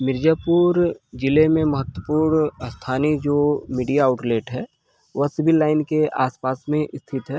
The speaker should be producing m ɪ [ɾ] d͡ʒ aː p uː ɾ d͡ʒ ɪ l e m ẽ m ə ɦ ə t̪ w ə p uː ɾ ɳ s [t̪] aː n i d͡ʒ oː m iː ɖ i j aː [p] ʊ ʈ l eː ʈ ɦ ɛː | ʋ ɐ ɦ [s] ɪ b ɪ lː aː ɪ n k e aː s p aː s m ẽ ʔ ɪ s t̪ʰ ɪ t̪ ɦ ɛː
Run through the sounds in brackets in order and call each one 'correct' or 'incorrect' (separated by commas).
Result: correct, incorrect, incorrect, correct